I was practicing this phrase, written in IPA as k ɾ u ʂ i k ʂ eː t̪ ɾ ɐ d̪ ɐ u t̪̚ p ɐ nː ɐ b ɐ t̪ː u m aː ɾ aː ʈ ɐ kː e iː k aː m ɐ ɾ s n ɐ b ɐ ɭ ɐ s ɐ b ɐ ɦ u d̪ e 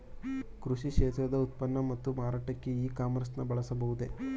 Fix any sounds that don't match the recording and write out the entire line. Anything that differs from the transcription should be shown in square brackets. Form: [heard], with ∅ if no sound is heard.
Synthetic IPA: k ɾ u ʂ i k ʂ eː t̪ ɾ ɐ d̪ ɐ u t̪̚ p ɐ nː ɐ [m] ɐ t̪ː u m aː ɾ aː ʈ ɐ kː e iː k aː m ɐ ɾ s n ɐ b ɐ ɭ ɐ s ɐ b ɐ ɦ u d̪ e